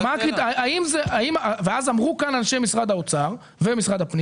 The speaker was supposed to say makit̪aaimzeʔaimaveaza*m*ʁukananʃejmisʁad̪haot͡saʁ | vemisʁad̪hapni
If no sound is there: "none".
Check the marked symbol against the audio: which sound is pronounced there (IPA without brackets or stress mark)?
m